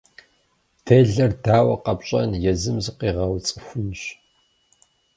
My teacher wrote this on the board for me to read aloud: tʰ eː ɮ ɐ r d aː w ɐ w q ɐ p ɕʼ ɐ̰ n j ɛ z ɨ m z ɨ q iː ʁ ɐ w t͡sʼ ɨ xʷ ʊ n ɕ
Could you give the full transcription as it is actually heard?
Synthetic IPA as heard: tʰ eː ɮ ɐ r d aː w ɐ q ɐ p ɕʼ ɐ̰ n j ɛ z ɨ m z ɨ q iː ʁ ɐ w t͡sʼ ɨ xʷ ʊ n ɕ